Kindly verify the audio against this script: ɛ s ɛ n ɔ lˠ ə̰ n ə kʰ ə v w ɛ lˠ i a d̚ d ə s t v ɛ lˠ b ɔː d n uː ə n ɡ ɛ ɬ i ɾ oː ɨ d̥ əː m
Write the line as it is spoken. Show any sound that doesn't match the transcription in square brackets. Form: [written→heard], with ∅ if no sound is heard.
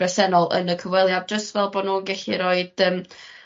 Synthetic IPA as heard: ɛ s ɛ n ɔ lˠ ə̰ n ə kʰ ə v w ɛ lˠ [i→j] a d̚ [d→d͡ʒ] ə s t v ɛ lˠ b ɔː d n uː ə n ɡ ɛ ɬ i ɾ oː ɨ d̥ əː m